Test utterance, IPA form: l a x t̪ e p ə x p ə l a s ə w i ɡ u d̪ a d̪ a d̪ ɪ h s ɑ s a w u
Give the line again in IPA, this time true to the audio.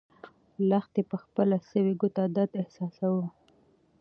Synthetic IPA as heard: l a x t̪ e p ə x p ə l a s ə w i ɡ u t̪ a d̪ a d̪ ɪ h s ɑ s a w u